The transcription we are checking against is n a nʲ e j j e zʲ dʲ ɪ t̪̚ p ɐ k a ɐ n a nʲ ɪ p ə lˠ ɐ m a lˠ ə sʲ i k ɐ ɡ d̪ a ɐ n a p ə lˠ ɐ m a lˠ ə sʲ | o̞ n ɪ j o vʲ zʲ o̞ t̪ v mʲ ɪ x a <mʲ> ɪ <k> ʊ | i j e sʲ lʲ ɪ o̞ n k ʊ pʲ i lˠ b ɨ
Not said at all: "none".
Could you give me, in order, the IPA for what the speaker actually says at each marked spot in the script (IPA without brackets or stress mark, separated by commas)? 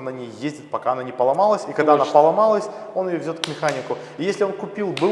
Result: nʲ, k